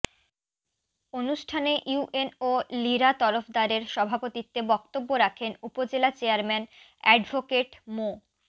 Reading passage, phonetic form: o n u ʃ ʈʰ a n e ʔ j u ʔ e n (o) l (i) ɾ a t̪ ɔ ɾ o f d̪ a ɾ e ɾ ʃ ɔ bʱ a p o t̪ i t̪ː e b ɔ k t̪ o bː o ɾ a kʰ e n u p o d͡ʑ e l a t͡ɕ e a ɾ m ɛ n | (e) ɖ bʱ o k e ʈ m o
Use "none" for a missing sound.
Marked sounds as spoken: o, i, ɛ

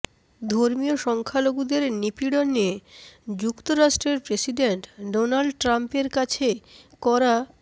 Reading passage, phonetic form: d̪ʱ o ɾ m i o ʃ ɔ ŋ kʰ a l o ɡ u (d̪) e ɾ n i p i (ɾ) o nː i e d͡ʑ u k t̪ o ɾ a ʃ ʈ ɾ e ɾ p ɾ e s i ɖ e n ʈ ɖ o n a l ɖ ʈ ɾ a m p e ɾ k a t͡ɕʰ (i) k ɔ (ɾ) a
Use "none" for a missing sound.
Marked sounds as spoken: d̪, ɽ, e, ɾ

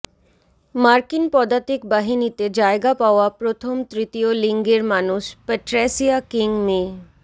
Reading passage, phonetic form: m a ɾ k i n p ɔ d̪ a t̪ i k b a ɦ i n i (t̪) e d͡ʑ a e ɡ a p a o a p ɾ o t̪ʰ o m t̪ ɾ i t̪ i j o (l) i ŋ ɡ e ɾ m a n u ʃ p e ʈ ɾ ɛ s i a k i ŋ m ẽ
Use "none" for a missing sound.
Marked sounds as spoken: t̪, l

